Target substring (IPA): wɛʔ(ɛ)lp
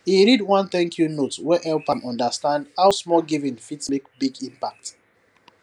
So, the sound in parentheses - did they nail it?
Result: yes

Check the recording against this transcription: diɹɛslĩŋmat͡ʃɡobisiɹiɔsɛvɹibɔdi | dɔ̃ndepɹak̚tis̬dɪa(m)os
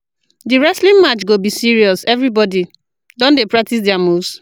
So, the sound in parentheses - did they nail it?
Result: yes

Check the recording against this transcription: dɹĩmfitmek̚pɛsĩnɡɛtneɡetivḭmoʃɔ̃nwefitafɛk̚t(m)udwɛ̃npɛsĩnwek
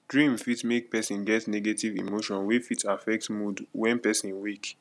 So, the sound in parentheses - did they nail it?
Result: yes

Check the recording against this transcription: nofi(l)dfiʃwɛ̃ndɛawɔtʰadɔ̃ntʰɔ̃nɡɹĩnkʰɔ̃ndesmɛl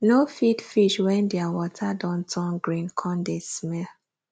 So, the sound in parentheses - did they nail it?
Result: no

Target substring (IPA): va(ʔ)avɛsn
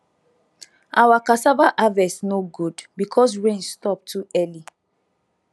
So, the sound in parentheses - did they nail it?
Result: yes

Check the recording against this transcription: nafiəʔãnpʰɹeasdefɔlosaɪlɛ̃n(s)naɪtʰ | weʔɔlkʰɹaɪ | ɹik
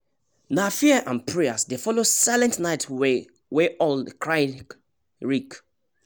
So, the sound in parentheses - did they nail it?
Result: no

